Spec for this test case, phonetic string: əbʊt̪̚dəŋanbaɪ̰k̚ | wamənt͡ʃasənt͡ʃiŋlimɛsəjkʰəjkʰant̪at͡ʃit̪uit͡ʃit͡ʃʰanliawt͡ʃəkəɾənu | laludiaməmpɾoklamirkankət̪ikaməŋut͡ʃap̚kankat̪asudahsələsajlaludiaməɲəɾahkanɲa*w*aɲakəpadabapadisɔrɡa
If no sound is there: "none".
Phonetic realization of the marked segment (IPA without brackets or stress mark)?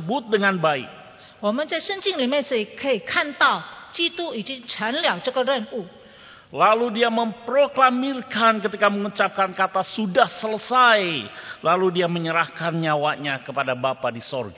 w